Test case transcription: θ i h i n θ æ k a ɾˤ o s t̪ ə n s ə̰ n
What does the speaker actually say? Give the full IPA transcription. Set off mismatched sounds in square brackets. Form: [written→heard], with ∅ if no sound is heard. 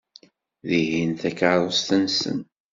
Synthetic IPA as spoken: [θ→ð] i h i n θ æ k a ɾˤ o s t̪ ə n s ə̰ n